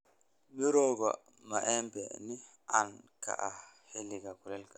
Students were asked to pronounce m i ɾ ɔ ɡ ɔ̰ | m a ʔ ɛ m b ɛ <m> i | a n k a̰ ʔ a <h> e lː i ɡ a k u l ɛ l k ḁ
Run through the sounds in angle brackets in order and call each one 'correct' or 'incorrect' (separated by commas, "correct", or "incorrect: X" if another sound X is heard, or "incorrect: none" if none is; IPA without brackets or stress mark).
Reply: incorrect: n, correct